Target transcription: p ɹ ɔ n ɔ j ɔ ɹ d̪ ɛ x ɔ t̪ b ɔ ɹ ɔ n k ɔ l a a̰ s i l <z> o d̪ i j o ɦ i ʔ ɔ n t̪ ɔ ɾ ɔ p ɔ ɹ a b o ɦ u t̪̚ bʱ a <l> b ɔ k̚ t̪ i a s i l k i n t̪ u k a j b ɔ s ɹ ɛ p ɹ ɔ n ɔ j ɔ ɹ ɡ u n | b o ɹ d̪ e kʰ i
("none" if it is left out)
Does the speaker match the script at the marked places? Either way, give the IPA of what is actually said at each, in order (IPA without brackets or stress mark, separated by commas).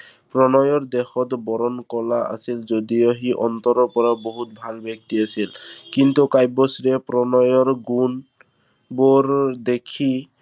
z, l